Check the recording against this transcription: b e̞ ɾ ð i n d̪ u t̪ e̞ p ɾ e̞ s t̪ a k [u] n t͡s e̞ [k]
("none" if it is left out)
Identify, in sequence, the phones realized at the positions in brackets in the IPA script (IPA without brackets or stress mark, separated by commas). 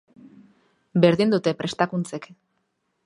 u, k